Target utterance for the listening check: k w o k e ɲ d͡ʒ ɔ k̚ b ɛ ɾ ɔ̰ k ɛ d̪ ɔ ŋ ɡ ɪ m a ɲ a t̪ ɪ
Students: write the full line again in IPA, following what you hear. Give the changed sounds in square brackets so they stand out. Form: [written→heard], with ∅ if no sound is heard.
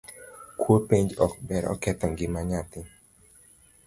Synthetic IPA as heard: k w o [k→p] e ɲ d͡ʒ ɔ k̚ b ɛ ɾ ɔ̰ k ɛ [d̪→t̪] ɔ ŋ ɡ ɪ m a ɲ a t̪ ɪ